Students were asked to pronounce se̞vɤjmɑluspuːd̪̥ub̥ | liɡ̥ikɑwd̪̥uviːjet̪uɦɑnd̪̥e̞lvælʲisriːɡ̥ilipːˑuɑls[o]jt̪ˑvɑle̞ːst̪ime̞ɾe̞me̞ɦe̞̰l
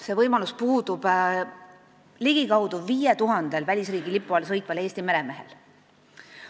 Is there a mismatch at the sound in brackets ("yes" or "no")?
yes